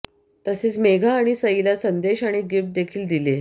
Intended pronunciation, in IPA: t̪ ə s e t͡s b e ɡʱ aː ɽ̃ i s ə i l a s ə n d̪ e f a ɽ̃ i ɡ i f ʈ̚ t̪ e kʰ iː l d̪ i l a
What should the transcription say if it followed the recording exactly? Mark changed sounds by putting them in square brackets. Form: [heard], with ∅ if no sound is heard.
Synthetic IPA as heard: t̪ ə s e t͡s [m] e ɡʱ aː ɽ̃ i s ə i l a s ə n d̪ e [ɕ] a ɽ̃ i ɡ i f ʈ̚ [d̪] e kʰ iː l d̪ i l [e]